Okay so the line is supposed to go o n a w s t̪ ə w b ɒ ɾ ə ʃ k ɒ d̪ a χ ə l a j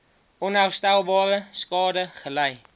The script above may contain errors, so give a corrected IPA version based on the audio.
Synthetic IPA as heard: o n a w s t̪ a w b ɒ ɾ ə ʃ k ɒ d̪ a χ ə l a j